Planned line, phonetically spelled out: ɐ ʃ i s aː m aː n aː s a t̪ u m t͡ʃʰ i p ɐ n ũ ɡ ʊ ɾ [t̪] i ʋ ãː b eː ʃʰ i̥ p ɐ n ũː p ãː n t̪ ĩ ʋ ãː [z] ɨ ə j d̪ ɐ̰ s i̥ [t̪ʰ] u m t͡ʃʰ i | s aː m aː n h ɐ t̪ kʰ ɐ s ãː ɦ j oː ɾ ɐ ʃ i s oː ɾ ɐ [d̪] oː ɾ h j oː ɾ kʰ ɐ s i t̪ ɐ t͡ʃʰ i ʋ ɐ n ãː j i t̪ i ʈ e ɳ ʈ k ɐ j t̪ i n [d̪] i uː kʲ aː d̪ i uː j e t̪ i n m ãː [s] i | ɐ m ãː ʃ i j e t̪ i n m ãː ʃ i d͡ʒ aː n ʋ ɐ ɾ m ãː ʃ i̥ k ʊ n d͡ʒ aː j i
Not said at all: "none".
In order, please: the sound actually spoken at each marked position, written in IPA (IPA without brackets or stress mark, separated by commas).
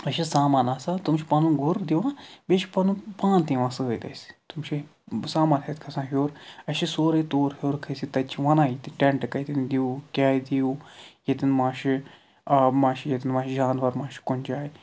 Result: d̪, s, t̪, t̪, d̪, ʃ